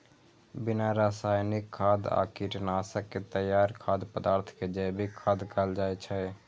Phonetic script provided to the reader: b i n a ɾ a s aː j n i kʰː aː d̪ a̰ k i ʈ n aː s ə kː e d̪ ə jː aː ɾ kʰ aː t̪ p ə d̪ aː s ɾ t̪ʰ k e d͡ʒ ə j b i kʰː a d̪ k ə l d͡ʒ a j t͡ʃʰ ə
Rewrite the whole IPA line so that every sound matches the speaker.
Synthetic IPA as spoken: b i n a ɾ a s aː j n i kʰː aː d̪ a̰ k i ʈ n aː s ə kː e t̪ ə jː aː ɾ kʰ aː d̪ p ə d̪ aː ɾ t̪ʰ k e d͡ʒ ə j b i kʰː a d̪ k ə l d͡ʒ a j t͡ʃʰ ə

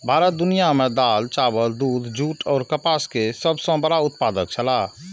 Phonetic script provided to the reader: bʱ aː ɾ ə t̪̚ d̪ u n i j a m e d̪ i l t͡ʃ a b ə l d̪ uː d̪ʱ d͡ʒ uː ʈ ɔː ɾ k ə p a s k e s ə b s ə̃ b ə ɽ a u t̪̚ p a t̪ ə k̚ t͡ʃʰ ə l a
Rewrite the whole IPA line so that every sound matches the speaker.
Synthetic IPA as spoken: bʱ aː ɾ ə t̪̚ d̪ u n i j a m e d̪ a l t͡ʃ a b ə l d̪ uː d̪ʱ d͡ʒ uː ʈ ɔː ɾ k ə p a s k e s ə b s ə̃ b ə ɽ a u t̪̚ p a d̪ ə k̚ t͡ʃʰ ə l a

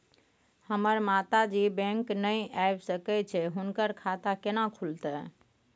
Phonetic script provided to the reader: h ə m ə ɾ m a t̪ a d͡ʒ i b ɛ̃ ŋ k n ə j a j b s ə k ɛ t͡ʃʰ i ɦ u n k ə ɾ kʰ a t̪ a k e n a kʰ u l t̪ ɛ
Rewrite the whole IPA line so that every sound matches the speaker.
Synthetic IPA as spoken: h ə m ə ɾ m a t̪ a d͡ʒ i b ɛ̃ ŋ k n ə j a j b s ə k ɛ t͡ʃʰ ɛ ɦ u n k ə ɾ kʰ a t̪ a k e n a kʰ u l t̪ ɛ

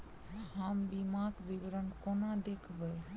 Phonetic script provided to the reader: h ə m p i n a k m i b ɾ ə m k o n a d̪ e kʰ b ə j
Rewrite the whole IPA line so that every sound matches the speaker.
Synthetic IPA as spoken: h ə m b i m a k b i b ɾ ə n k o n a d̪ e kʰ b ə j

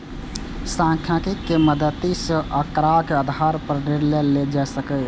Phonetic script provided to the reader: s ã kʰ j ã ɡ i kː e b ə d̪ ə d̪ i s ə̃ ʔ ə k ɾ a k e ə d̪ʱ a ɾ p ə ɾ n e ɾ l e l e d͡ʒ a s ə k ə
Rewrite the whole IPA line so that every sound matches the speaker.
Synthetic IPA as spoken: s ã kʰ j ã k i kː e m ə d̪ ə t̪ i s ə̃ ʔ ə k ɾ a k e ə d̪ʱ a ɾ p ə ɾ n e ɾ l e l e d͡ʒ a s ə k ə

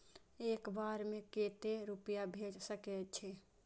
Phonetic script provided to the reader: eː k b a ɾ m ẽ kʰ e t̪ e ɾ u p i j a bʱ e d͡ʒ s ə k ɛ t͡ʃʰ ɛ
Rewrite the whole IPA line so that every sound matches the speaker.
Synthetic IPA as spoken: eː k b a ɾ m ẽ k e t̪ e ɾ u p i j a bʱ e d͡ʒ s ə k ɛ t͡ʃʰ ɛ

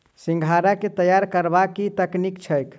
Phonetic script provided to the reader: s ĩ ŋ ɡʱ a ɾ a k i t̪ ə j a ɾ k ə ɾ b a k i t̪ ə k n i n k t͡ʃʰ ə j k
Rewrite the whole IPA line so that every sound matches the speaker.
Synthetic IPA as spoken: s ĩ ŋ ɡʱ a ɾ a k e t̪ ə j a ɾ k ə ɾ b a k i t̪ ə k n i k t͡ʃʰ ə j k

